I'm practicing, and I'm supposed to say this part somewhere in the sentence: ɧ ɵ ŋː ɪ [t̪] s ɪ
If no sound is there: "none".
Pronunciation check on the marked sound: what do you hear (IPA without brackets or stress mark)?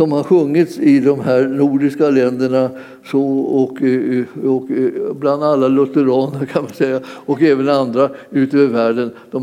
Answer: t̪